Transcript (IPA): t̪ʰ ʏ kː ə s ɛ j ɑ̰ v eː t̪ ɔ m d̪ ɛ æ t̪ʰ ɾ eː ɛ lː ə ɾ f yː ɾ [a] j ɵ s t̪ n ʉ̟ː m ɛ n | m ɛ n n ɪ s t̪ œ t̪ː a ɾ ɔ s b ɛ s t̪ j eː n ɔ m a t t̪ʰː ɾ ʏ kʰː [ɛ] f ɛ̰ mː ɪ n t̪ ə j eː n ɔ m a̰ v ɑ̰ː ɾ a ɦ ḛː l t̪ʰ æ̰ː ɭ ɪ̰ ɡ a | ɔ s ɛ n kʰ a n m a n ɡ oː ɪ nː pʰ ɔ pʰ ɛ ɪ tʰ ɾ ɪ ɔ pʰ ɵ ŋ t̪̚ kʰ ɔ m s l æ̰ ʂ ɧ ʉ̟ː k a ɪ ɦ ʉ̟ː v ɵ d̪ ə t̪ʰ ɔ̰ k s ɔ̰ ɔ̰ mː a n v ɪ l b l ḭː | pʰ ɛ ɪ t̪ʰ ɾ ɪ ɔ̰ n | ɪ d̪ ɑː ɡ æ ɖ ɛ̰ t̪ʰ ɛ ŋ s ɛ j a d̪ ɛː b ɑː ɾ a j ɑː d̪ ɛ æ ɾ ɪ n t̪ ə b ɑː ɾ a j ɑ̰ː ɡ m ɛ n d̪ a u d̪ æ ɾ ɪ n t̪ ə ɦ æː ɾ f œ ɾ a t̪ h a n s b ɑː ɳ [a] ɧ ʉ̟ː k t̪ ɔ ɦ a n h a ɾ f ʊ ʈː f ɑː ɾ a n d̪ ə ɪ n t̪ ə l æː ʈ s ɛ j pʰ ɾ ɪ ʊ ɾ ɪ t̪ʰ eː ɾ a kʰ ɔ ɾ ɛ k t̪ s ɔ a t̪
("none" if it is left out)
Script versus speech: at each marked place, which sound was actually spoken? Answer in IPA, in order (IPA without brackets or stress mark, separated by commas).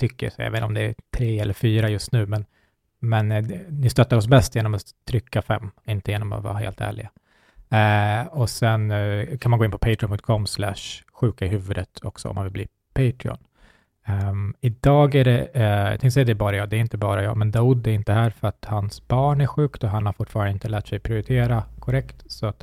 a, a, æ